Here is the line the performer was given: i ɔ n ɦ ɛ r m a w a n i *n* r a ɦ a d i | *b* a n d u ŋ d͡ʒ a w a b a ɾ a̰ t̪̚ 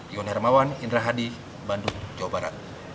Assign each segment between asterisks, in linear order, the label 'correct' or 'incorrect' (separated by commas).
correct, correct